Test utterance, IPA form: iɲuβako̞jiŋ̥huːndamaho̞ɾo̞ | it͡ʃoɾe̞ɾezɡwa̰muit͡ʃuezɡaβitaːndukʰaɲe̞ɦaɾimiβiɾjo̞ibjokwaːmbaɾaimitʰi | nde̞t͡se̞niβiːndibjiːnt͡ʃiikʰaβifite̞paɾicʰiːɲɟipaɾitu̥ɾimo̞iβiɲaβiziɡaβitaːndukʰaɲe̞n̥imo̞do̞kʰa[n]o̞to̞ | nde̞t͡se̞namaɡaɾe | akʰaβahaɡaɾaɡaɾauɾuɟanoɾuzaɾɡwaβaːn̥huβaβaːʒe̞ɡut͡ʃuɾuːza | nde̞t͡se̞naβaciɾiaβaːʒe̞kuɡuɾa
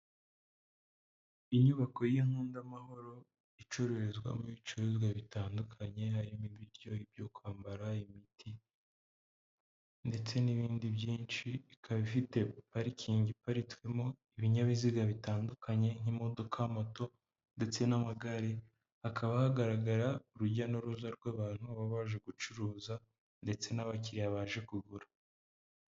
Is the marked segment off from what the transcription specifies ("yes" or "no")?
yes